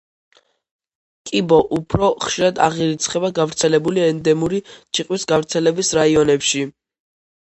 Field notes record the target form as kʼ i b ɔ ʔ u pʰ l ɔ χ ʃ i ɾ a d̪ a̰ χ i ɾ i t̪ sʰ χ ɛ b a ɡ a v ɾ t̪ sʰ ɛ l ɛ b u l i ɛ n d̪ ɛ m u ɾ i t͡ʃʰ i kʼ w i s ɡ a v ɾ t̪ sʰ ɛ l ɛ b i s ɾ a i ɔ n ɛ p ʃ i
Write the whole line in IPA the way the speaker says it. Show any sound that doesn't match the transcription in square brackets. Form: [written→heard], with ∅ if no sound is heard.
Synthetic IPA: kʼ i b ɔ ʔ u pʰ [l→ɾ] ɔ χ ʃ i ɾ a d̪ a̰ [χ→ʁ] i ɾ i t̪ sʰ χ ɛ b a ɡ a v ɾ t̪ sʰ ɛ l ɛ b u l i ɛ n d̪ ɛ m u ɾ i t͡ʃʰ i [kʼ→qʼ] w i s ɡ a v ɾ t̪ sʰ ɛ l ɛ b i s ɾ a i ɔ n ɛ p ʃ i